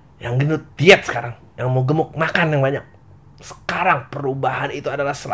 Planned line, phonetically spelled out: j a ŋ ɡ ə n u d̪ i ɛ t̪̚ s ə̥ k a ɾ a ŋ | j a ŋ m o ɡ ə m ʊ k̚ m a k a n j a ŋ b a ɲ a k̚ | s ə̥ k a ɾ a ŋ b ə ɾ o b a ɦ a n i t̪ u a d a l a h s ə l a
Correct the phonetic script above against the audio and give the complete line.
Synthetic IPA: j a ŋ ɡ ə n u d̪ i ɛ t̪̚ s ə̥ k a ɾ a ŋ | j a ŋ m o ɡ ə m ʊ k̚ m a k a n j a ŋ b a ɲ a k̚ | s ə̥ k a ɾ a ŋ p ə ɾ u b a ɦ a n i t̪ u a d a l a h s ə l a